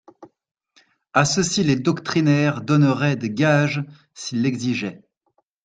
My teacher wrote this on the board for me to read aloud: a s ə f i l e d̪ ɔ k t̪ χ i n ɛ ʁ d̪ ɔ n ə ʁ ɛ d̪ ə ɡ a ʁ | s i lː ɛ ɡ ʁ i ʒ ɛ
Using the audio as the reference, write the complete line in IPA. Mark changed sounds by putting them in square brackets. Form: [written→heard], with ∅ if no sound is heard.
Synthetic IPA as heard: a s ə [f→s] i l e d̪ ɔ k t̪ χ i n ɛ ʁ d̪ ɔ n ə ʁ ɛ d̪ ə ɡ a [ʁ→ʒ] | s i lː ɛ ɡ [ʁ→z] i ʒ ɛ